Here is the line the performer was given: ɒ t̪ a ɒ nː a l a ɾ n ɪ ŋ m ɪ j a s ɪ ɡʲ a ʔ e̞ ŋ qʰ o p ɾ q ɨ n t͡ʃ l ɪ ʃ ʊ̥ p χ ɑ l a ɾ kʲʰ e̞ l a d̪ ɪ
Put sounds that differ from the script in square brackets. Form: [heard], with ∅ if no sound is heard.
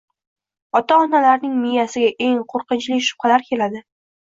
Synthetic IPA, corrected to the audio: ɒ t̪ a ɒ [n] a l a ɾ n ɪ ŋ m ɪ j a s ɪ ɡʲ a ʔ e̞ ŋ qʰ o [∅] ɾ q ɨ n t͡ʃ l ɪ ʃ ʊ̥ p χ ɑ l a ɾ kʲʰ e̞ l a d̪ ɪ